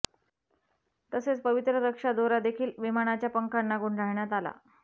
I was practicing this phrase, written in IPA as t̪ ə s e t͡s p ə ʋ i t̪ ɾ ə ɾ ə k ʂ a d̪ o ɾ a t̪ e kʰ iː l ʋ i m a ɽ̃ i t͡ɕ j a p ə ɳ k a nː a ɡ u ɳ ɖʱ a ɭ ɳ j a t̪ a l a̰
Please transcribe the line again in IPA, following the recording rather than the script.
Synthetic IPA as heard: t̪ ə s e t͡s p ə ʋ i t̪ ɾ ə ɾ ə k ʂ a d̪ o ɾ a d̪ e kʰ iː l ʋ i m a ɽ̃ a t͡ɕ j a p ə ŋ k a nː a ɡ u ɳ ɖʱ a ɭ ɳ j a t̪ a l a̰